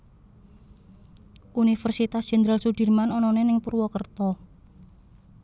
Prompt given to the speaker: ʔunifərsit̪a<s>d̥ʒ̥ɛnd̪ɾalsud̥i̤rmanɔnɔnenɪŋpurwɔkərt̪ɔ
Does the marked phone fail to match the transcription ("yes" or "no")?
no